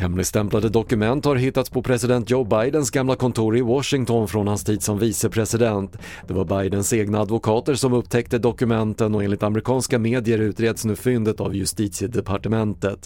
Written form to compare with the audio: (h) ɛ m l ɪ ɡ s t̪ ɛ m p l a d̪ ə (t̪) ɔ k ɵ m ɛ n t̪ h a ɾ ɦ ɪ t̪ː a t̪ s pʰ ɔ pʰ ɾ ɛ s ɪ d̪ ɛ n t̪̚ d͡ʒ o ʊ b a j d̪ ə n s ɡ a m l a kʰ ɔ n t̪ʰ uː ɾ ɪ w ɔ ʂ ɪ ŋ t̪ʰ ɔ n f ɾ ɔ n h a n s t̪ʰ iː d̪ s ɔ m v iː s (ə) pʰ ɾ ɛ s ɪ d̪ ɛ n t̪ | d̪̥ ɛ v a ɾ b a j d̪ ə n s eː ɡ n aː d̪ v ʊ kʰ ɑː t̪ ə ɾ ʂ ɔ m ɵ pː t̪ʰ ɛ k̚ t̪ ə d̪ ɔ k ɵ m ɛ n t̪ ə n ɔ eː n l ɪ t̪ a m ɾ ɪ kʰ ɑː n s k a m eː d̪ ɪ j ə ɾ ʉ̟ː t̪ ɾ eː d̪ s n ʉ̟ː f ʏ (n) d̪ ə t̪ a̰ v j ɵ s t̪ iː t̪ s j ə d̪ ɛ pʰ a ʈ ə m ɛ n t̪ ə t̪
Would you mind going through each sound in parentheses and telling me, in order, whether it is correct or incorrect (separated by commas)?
correct, incorrect, correct, correct